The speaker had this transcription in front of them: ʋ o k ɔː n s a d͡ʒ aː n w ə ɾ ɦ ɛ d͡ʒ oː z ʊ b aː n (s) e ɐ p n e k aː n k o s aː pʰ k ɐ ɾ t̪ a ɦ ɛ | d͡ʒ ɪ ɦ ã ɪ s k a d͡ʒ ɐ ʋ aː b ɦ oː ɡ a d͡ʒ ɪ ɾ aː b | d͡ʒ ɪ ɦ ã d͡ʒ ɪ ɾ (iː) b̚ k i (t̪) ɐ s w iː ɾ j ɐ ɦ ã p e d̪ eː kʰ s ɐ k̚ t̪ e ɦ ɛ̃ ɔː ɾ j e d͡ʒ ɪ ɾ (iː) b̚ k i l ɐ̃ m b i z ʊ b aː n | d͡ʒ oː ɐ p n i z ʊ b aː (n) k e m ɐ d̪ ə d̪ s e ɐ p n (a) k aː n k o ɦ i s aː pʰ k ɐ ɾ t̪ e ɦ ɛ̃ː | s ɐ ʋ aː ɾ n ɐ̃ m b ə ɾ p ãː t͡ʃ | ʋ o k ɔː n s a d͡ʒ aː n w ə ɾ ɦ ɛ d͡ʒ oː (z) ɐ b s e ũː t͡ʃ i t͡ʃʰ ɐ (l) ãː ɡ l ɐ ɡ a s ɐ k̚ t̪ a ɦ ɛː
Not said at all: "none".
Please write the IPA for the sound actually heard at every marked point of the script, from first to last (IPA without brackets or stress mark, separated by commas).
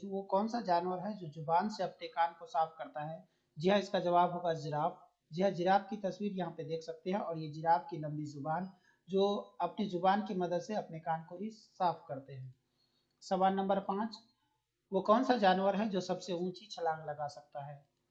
s, aː, t̪, aː, n, e, s, l